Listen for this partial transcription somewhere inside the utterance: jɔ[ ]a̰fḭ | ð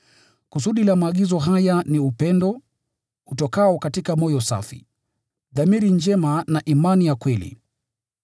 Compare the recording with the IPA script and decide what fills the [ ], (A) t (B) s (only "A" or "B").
B